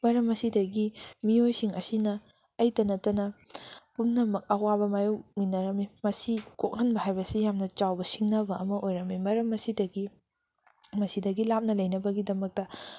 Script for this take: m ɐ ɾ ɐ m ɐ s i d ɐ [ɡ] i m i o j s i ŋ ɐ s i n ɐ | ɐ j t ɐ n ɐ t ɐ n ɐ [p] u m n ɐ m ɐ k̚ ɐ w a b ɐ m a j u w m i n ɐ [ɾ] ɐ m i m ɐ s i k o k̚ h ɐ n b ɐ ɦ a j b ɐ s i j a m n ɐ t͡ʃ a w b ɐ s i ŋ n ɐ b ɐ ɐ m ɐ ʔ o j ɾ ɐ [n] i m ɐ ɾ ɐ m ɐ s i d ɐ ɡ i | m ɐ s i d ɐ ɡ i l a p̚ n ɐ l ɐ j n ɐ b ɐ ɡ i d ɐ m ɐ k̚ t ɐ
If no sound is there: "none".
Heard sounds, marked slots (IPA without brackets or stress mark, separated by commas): ɡ, p, ɾ, m